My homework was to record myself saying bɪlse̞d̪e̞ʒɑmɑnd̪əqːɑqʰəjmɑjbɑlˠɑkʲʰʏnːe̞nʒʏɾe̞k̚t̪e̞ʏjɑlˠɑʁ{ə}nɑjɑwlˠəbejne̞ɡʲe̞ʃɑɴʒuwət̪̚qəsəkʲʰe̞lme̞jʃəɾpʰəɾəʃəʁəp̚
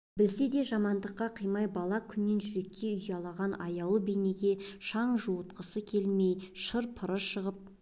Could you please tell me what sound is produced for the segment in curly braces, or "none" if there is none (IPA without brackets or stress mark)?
ɑ